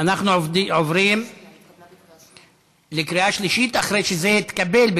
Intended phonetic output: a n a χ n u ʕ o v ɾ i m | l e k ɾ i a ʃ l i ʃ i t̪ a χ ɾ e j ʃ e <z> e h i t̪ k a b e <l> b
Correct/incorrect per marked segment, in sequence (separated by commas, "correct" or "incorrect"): correct, correct